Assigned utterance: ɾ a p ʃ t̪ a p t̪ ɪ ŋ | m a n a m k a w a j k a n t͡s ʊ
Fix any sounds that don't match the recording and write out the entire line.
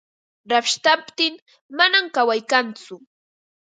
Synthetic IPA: ɾ a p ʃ t̪ a p t̪ ɪ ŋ | m a n a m k a w a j k a n t͡s ʊ